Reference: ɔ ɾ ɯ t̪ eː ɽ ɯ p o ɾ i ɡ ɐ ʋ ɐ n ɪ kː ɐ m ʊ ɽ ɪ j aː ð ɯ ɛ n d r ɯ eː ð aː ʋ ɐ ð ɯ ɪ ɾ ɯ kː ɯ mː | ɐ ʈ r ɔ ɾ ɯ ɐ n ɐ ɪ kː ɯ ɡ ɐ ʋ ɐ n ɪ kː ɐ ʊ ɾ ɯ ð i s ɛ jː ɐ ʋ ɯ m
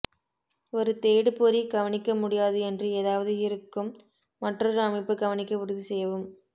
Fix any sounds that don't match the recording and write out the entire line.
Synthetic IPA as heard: ɔ ɾ ɯ t̪ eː ɽ ɯ p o ɾ i ɡ ɐ ʋ ɐ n ɪ kː ɐ m ʊ ɽ ɪ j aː ð ɯ ɛ n d r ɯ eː ð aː ʋ ɐ ð ɯ ɪ ɾ ɯ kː ɯ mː | ɐ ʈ r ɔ ɾ ɯ ɐ m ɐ ɪ pː ɯ ɡ ɐ ʋ ɐ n ɪ kː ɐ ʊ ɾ ɯ ð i s ɛ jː ɐ ʋ ɯ m

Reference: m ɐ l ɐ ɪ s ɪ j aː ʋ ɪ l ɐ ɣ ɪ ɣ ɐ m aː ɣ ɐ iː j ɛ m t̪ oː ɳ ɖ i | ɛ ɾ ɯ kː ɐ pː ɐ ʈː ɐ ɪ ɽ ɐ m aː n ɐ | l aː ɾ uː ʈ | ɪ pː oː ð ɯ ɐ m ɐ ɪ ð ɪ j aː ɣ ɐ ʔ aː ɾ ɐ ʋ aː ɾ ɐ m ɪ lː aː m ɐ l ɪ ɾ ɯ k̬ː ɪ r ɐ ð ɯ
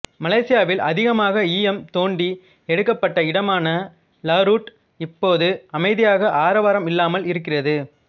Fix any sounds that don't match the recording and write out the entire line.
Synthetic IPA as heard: m ɐ l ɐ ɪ s ɪ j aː ʋ ɪ l ɐ ð ɪ ɣ ɐ m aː ɣ ɐ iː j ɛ m t̪ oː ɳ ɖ i | ɛ ɽ ɯ kː ɐ pː ɐ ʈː ɐ ɪ ɽ ɐ m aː n ɐ | l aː ɾ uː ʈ | ɪ pː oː ð ɯ ɐ m ɐ ɪ ð ɪ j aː ɣ ɐ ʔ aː ɾ ɐ ʋ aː ɾ ɐ m ɪ lː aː m ɐ l ɪ ɾ ɯ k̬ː ɪ r ɐ ð ɯ

